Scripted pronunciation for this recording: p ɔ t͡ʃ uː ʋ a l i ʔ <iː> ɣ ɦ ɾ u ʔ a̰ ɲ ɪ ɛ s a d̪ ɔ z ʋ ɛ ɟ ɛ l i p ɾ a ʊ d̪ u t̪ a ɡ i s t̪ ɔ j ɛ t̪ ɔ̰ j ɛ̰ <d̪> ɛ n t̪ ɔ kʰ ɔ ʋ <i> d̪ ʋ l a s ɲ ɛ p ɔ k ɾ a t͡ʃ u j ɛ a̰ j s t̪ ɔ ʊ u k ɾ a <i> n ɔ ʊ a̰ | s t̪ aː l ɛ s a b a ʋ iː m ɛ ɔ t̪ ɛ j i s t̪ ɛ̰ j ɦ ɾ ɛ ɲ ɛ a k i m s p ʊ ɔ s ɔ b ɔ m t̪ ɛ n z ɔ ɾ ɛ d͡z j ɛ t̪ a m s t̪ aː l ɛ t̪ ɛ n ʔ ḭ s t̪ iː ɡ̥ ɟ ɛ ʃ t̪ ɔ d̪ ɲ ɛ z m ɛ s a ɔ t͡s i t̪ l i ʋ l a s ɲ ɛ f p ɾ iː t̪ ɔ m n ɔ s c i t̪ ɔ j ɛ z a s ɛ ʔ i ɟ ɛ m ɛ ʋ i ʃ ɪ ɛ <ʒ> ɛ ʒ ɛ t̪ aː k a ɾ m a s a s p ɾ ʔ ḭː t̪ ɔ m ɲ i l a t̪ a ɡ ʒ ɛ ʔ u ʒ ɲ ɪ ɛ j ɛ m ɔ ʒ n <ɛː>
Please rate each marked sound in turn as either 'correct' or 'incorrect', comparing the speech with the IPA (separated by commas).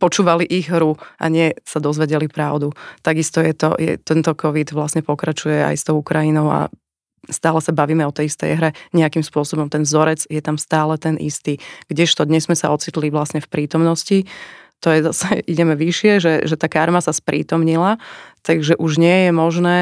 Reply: incorrect, incorrect, correct, correct, correct, correct